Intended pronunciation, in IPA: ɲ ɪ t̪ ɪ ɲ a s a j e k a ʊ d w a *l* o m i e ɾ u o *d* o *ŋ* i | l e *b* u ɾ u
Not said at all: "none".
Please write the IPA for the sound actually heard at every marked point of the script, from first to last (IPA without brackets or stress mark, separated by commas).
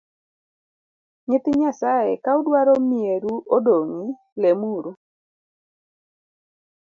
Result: ɾ, d, ŋ, m